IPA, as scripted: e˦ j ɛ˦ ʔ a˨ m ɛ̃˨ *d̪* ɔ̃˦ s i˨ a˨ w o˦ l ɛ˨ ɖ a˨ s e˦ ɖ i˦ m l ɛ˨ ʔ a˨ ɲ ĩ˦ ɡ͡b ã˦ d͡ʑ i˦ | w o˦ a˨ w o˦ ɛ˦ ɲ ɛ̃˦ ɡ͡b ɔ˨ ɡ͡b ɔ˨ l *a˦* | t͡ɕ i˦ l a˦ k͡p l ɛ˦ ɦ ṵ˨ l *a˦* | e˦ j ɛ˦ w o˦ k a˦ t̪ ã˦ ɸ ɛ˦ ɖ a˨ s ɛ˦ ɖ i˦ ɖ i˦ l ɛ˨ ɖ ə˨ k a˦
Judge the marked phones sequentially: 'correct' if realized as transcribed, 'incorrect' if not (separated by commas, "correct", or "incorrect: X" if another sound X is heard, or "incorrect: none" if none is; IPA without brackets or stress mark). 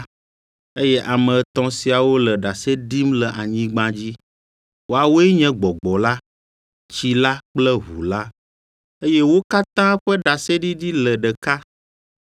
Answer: incorrect: t̪, correct, correct